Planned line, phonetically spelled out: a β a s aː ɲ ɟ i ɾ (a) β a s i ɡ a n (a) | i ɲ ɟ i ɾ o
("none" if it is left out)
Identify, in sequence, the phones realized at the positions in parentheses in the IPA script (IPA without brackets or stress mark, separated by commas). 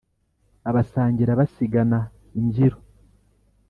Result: a, a